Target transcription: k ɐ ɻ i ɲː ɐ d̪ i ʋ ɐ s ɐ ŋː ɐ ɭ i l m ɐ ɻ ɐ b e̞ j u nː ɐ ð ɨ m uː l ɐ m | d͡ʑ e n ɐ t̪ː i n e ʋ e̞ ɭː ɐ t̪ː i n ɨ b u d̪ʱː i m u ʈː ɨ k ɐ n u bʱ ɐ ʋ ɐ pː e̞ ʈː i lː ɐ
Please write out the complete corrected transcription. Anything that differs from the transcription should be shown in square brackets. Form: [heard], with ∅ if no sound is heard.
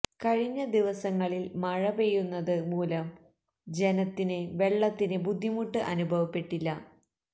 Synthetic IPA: k ɐ ɻ i ɲː ɐ d̪ i ʋ ɐ s ɐ ŋː ɐ ɭ i l m ɐ ɻ ɐ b e̞ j u nː ɐ ð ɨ m uː l ɐ m | d͡ʑ e n ɐ t̪ː i n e ʋ e̞ ɭː ɐ t̪ː i n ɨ b u d̪ʱː i m u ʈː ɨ [ʔ] ɐ n u bʱ ɐ ʋ ɐ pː e̞ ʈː i lː ɐ